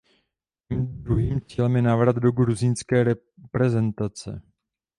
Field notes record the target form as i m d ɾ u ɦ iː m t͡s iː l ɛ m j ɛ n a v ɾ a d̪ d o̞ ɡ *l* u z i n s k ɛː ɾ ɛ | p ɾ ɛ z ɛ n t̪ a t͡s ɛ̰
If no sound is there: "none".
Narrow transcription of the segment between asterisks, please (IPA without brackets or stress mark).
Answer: ɾ